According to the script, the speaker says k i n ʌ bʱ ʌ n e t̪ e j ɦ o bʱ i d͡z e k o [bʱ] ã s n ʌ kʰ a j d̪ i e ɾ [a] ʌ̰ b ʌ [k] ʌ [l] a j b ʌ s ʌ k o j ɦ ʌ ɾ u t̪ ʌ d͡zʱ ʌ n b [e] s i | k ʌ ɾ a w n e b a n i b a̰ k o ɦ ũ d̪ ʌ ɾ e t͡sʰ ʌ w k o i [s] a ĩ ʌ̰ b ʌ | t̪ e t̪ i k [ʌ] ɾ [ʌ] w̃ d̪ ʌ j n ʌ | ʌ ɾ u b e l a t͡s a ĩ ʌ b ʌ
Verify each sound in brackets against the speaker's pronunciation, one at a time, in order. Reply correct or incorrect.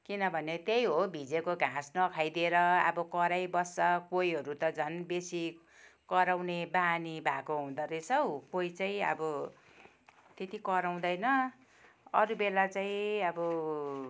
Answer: incorrect, incorrect, correct, incorrect, correct, incorrect, correct, incorrect

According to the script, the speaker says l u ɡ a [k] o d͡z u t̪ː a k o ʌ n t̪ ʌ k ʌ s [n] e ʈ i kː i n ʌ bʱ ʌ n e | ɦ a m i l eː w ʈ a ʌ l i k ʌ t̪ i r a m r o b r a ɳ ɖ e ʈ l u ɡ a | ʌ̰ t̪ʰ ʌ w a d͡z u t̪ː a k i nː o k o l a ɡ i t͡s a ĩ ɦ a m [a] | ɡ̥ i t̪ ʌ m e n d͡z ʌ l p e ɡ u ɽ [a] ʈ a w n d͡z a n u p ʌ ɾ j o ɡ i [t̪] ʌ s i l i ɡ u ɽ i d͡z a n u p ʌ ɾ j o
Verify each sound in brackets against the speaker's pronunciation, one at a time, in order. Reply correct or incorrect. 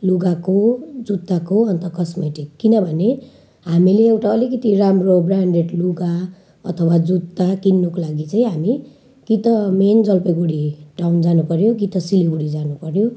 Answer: correct, incorrect, incorrect, incorrect, correct

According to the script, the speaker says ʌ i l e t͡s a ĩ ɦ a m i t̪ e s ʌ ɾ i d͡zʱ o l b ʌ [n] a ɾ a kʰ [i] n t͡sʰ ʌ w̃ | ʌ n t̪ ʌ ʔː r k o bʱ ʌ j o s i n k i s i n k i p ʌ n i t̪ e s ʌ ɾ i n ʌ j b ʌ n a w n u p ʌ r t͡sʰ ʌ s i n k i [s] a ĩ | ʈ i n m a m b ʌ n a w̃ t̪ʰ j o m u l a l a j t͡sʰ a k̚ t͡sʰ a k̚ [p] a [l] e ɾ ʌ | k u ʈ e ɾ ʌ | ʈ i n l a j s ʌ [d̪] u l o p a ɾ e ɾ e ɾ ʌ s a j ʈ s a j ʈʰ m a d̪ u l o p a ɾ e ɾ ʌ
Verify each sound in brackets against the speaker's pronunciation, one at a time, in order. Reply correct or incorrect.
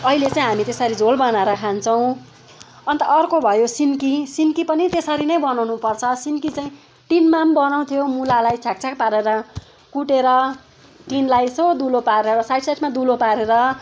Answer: correct, incorrect, incorrect, correct, incorrect, correct

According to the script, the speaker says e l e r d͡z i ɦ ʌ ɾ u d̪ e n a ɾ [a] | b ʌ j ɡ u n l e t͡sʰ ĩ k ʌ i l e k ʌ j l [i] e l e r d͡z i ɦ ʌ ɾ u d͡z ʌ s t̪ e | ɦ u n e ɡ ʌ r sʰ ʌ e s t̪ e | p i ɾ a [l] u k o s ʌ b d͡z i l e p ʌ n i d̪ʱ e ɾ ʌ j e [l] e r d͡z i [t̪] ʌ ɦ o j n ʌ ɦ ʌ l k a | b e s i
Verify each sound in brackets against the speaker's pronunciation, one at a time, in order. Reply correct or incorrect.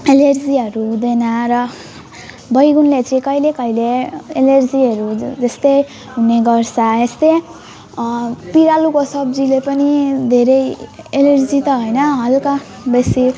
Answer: incorrect, incorrect, correct, correct, correct

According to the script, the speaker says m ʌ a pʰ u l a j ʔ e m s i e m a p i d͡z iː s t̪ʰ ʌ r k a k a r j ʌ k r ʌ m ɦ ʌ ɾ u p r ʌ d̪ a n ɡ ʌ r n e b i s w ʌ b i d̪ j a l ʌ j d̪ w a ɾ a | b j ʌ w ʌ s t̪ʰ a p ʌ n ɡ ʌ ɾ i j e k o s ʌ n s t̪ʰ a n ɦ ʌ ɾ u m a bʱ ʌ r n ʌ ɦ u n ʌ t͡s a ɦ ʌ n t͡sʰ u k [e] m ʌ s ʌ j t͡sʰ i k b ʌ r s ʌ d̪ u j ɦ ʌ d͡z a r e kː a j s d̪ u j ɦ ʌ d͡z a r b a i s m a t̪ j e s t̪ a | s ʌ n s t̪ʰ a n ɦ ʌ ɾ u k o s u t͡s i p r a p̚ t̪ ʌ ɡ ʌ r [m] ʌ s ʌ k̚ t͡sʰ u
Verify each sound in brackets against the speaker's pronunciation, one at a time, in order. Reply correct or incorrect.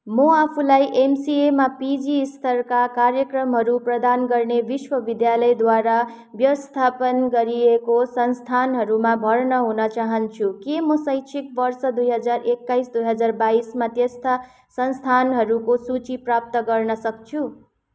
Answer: correct, incorrect

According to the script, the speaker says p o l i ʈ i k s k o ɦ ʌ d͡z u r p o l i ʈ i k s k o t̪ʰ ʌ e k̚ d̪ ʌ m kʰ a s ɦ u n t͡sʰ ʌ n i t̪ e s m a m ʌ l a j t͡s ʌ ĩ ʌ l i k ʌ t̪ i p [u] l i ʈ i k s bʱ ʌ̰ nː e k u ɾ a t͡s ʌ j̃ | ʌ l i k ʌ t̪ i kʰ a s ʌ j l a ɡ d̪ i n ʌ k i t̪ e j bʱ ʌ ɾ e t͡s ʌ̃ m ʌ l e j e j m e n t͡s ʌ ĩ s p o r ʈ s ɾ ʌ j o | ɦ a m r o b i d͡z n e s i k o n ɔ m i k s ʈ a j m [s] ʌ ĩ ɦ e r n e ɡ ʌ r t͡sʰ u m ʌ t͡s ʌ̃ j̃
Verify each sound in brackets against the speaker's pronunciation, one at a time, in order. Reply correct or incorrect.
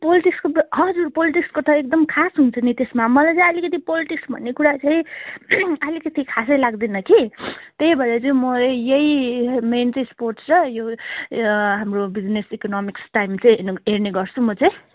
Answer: incorrect, incorrect

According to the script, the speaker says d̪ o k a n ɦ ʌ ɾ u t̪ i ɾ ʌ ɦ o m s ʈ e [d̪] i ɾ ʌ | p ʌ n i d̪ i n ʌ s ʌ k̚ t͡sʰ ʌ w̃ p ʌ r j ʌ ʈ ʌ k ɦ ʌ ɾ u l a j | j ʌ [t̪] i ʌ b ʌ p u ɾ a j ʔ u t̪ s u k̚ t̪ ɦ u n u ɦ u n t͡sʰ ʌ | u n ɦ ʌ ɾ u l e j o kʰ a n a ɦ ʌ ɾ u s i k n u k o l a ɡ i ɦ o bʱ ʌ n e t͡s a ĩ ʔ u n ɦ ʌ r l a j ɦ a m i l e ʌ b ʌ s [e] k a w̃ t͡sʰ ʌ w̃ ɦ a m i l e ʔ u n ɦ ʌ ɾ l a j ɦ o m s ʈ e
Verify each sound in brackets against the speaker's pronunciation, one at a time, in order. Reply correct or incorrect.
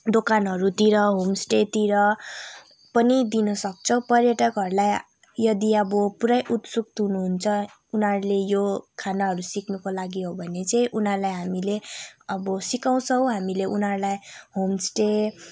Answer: incorrect, incorrect, incorrect

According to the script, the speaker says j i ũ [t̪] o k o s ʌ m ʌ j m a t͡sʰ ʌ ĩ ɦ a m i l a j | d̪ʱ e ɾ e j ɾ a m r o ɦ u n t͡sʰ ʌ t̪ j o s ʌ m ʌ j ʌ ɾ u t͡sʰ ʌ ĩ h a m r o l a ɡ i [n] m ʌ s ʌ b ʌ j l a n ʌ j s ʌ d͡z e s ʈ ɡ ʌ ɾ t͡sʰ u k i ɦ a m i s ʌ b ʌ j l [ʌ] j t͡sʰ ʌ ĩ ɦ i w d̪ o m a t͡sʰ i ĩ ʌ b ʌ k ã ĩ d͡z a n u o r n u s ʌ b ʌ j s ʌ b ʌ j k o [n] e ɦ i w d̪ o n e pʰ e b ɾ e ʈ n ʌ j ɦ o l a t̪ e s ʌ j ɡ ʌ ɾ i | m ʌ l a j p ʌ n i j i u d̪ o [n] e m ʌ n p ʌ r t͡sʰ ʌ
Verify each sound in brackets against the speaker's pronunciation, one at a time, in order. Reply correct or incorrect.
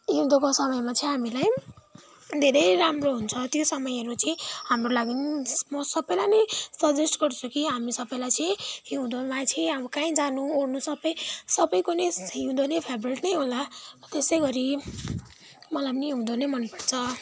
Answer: incorrect, correct, incorrect, correct, correct

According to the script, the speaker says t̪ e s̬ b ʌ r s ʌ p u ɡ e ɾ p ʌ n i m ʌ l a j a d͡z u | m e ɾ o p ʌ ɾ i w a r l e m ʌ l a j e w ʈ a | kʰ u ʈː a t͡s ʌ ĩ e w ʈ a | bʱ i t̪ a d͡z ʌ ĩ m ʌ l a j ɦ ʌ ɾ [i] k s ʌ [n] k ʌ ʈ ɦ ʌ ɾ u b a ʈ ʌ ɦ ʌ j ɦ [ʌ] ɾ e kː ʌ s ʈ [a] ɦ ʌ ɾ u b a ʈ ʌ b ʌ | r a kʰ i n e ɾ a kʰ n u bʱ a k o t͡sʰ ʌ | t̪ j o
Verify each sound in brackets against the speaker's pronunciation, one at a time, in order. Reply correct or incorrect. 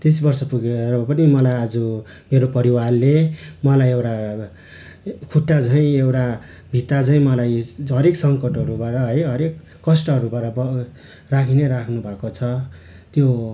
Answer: incorrect, incorrect, correct, incorrect

